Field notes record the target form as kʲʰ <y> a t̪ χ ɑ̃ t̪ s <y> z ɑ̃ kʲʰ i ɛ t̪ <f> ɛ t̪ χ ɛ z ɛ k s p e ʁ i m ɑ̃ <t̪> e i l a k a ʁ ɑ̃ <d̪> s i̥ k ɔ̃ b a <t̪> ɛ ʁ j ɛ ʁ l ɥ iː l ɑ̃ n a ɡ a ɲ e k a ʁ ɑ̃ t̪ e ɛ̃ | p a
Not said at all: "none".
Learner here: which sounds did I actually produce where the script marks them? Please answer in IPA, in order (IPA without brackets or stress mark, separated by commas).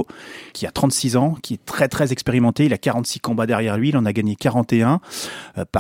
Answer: i, i, χ, t̪, t̪, d̪